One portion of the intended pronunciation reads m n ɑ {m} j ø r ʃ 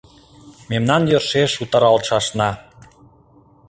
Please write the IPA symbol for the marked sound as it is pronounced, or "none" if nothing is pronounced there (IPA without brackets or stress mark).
n